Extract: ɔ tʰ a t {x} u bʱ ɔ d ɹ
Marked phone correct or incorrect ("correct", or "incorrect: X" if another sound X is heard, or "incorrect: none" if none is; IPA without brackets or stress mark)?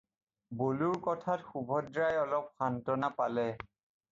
correct